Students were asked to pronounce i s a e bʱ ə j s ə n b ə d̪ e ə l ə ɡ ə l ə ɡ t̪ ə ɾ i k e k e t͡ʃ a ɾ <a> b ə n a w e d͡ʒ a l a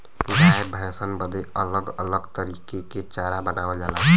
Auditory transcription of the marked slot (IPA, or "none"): a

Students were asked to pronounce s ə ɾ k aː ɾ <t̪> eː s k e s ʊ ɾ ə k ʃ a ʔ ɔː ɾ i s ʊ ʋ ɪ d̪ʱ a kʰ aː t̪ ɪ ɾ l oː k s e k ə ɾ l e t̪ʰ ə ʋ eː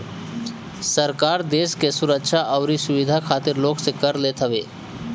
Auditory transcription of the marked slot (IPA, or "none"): d̪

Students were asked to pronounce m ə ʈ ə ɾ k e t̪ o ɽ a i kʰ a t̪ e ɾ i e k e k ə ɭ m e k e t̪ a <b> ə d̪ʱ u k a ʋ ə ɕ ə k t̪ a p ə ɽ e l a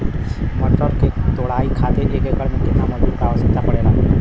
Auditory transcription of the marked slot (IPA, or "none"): m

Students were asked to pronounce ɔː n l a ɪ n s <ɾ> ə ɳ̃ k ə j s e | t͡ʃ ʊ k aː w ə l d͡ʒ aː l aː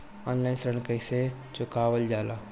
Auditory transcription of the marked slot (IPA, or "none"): ɾ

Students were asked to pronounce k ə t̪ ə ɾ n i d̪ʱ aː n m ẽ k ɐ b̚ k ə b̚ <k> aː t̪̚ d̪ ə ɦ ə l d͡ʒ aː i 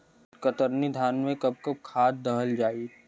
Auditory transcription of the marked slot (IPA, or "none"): kʰ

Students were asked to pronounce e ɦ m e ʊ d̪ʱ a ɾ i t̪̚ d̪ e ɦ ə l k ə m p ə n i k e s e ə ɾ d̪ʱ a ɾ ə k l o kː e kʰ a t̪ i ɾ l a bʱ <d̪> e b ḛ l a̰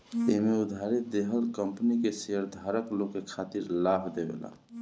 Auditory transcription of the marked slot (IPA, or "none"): d̪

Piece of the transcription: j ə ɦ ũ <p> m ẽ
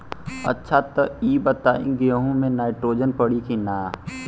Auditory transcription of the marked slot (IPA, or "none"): none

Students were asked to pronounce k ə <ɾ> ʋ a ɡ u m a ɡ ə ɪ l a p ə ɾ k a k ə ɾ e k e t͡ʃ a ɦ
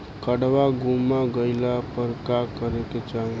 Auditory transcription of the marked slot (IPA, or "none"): ɽ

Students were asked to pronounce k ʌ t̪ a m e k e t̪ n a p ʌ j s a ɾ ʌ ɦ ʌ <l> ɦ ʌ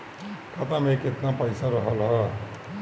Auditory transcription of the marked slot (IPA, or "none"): l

